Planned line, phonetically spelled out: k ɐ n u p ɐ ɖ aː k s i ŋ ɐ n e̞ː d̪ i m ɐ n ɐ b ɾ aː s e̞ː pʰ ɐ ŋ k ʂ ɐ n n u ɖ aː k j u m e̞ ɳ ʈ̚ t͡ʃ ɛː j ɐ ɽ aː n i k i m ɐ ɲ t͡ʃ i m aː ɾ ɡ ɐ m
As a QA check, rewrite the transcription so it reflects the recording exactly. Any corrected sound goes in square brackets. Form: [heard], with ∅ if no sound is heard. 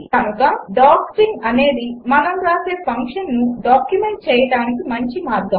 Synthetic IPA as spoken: k ɐ n u [k] ɐ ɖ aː k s i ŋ ɐ n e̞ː d̪ i m ɐ n ɐ [m] ɾ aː s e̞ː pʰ ɐ ŋ k ʂ ɐ n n u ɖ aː k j u m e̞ ɳ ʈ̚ t͡ʃ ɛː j ɐ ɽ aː n i k i m ɐ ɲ t͡ʃ i m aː ɾ ɡ ɐ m